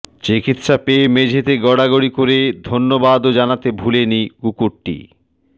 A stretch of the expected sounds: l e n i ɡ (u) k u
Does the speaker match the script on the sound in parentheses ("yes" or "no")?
yes